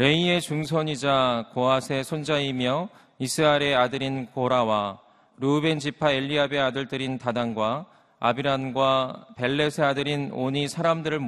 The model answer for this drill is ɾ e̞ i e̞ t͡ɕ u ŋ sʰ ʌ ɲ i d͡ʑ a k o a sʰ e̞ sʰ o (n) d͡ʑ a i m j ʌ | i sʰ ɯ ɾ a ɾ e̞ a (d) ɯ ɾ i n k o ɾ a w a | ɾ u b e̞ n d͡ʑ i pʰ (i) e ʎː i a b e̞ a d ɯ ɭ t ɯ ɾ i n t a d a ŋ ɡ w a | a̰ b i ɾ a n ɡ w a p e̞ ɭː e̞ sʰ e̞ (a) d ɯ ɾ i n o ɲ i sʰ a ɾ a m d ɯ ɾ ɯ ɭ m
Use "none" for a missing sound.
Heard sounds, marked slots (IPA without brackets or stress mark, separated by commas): n, d, a, a